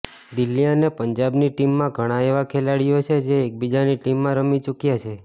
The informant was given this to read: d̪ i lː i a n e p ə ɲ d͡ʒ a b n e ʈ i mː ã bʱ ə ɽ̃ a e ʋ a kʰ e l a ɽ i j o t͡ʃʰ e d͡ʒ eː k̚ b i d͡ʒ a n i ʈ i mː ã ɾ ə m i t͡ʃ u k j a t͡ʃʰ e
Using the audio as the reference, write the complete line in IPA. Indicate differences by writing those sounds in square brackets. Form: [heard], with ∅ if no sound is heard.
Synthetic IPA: d̪ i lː i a n e p ə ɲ d͡ʒ a b n [i] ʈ i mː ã [ɡʱ] ə ɽ̃ a e ʋ a kʰ e l a ɽ i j o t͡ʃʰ e d͡ʒ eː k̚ b i d͡ʒ a n i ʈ i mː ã ɾ ə m i t͡ʃ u k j a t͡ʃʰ e